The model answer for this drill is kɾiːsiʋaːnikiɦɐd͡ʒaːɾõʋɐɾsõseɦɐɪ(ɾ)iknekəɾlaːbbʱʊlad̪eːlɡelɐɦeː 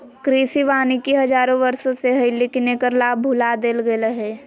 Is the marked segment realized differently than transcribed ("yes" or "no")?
yes